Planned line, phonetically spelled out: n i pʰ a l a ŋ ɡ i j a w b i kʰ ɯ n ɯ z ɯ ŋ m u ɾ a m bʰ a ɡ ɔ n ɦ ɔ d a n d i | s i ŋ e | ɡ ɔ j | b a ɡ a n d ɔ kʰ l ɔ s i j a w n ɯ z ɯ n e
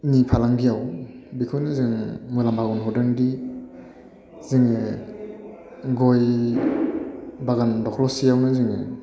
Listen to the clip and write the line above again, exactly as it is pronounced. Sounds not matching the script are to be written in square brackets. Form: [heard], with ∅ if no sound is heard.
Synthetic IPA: n i pʰ a l a ŋ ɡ i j a w b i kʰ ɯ n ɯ z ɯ ŋ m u [l] a m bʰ a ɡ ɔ n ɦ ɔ d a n d i | [z] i ŋ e | ɡ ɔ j | b a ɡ a n d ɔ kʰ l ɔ s i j a w n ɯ z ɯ [ŋ] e